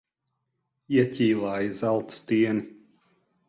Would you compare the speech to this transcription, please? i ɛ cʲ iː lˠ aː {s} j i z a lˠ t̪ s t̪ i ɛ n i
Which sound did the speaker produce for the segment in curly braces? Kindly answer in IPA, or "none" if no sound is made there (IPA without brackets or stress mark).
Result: none